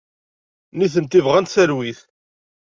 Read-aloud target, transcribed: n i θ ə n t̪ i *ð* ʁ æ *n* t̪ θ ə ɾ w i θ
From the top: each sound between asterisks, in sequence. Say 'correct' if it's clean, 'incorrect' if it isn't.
incorrect, correct

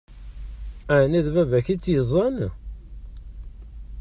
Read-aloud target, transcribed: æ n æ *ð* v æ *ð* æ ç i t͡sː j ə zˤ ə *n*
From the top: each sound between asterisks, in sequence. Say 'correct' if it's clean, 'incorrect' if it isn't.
correct, incorrect, correct

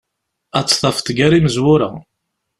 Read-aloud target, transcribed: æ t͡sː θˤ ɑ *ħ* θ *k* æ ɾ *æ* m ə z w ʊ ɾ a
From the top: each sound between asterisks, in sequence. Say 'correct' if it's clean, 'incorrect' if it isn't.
incorrect, incorrect, incorrect

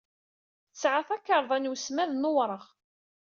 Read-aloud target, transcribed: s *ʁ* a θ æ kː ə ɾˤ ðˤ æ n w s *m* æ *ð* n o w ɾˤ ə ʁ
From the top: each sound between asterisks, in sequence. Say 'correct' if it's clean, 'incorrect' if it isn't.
incorrect, correct, correct

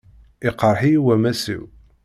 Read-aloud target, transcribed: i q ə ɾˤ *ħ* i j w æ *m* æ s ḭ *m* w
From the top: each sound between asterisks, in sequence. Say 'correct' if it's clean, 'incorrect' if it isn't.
correct, correct, incorrect

